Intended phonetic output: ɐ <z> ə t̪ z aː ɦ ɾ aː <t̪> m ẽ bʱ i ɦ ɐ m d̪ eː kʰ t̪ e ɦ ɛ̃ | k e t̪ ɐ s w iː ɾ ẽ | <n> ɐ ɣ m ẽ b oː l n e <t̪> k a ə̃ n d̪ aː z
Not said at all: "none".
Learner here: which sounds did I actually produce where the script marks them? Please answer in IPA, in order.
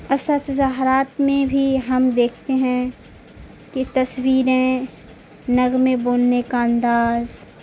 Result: s, t̪, n, none

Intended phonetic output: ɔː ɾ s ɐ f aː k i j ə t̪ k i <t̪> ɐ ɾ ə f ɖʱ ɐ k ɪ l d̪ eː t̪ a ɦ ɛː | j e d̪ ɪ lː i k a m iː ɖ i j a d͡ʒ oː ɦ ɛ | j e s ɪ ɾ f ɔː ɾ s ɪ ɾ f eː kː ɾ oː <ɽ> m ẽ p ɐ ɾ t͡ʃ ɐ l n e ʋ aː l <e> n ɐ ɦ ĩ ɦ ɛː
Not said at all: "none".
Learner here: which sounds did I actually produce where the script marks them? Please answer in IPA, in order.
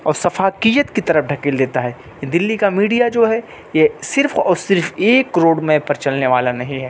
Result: t̪, ɽ, a

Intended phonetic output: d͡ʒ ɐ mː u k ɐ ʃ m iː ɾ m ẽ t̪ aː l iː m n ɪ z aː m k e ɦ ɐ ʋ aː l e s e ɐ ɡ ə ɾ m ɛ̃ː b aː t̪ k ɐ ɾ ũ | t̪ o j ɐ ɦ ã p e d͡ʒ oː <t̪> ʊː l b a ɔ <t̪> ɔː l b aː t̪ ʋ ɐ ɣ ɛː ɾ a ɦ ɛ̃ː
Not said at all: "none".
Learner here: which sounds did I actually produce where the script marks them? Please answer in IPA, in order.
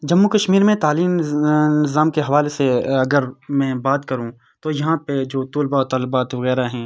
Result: t̪, t̪

